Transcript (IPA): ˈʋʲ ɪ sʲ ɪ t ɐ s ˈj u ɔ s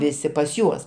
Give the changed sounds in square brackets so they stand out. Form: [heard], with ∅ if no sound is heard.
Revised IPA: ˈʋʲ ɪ sʲ ɪ [p] ɐ s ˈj u ɔ s